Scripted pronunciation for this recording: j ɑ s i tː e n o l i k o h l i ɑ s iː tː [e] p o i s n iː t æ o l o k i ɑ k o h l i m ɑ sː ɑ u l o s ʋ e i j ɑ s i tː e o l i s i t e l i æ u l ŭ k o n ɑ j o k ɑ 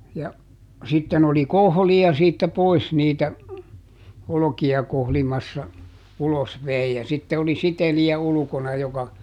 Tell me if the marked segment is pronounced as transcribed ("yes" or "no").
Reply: no